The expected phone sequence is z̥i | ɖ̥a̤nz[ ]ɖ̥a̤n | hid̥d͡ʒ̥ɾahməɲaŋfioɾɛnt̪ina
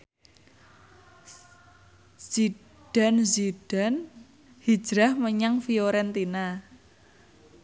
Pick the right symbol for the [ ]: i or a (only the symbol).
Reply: i